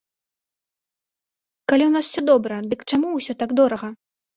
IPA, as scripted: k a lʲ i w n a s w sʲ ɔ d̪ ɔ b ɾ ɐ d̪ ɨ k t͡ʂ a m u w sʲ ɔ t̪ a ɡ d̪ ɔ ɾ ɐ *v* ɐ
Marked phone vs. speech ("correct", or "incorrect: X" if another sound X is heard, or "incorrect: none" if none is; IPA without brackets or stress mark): incorrect: ɣ